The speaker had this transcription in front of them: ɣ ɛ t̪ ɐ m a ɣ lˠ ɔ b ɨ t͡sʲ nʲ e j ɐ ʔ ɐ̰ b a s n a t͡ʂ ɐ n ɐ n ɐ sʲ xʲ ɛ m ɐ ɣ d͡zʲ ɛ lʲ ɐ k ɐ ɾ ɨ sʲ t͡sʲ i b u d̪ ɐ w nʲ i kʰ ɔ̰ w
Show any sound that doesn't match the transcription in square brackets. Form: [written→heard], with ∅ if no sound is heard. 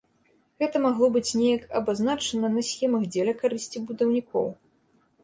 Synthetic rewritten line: ɣ ɛ t̪ ɐ m a ɣ lˠ ɔ b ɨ t͡sʲ nʲ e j ɐ [ʔ→k] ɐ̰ b a [s→z] n a t͡ʂ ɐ n ɐ n ɐ sʲ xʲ ɛ m ɐ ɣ d͡zʲ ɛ lʲ ɐ k [ɐ→a] ɾ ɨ sʲ t͡sʲ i b u d̪ ɐ w nʲ i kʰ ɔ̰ w